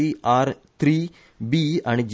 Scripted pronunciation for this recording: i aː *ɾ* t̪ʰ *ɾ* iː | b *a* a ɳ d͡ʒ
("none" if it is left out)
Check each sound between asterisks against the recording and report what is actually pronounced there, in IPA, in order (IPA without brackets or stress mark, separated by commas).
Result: ɾ, ɾ, i